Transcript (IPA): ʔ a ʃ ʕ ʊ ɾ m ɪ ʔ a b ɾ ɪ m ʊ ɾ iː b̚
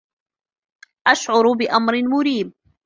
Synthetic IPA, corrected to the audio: ʔ a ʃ ʕ ʊ ɾ b ɪ ʔ a m ɾ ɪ m ʊ ɾ iː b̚